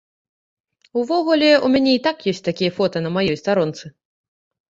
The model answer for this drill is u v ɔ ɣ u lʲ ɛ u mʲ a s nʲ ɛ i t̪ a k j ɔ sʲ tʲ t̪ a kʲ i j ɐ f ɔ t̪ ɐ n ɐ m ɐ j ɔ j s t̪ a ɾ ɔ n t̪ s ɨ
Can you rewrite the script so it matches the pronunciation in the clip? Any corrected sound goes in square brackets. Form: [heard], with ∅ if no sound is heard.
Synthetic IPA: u v ɔ ɣ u lʲ ɛ u mʲ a [∅] nʲ ɛ i t̪ a k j ɔ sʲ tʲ t̪ a kʲ i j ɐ f ɔ t̪ ɐ n ɐ m [a] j ɔ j s t̪ a ɾ ɔ n t̪ s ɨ